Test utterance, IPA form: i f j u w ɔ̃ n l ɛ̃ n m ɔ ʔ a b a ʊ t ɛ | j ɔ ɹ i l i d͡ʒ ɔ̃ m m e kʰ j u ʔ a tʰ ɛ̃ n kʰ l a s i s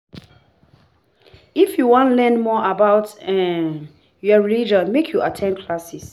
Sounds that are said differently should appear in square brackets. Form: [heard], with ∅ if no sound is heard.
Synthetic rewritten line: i f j u w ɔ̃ n l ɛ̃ n m ɔ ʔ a b a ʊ t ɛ | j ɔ ɹ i l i d͡ʒ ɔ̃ [n] m e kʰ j u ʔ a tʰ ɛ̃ n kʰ l a s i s